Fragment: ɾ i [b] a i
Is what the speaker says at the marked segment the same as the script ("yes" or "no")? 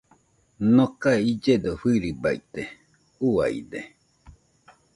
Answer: yes